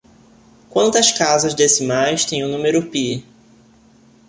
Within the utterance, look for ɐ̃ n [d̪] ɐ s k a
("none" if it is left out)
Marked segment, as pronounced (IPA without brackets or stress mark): t̪